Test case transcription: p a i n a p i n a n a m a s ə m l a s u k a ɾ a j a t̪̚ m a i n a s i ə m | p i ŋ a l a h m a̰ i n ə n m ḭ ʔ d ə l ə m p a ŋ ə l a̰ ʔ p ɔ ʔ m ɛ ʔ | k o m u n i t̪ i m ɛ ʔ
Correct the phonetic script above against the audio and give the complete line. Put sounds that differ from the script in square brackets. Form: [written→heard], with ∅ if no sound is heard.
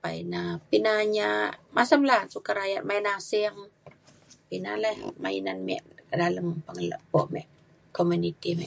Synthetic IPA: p a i n a p i n a [n→ɲ] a m a s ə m l a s u k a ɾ a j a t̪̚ m a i n a s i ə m | p i [ŋ→n] a l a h m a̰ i n [ə→a] n m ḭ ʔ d [ə→a] l ə m p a ŋ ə l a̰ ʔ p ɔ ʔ m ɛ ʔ | k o m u n i t̪ i m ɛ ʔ